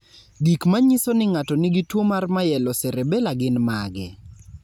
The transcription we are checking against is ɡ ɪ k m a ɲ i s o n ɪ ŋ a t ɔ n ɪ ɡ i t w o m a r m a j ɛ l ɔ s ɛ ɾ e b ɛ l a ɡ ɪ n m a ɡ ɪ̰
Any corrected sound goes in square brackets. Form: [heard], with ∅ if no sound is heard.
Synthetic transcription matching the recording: ɡ [i] k m a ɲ i s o n ɪ ŋ a t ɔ n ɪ ɡ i t w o m a r m a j ɛ l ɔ s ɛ ɾ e b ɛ l a ɡ ɪ n m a ɡ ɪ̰